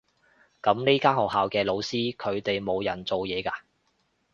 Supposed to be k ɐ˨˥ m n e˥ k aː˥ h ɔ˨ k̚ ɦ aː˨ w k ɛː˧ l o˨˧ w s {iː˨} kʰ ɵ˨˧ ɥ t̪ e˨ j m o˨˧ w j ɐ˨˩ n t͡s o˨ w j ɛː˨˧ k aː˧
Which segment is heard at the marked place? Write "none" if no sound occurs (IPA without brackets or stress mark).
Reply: iː˥